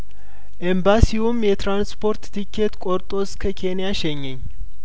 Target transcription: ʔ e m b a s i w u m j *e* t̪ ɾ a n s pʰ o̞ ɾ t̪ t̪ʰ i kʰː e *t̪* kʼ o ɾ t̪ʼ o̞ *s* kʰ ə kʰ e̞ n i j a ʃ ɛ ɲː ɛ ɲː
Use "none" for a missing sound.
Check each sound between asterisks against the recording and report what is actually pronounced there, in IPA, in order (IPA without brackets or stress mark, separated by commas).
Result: ɛ, t̪, s